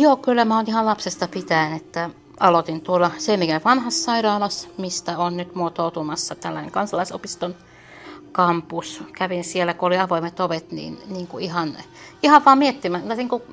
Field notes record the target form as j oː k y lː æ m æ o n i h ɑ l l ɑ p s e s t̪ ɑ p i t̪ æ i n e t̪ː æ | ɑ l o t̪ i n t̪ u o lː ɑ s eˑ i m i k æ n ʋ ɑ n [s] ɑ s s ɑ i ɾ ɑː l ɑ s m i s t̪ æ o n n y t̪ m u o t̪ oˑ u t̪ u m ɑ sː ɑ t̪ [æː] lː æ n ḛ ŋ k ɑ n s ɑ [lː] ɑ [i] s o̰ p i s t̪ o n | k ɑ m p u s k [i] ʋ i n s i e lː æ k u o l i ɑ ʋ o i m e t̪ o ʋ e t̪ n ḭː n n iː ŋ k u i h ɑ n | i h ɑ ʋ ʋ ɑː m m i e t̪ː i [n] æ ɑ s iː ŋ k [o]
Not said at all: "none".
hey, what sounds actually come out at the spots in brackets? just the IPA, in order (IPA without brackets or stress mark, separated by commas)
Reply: h, æ, l, i, æ, m, u